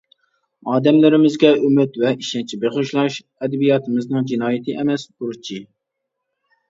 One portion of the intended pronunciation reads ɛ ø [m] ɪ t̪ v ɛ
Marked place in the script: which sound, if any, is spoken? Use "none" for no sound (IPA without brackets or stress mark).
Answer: m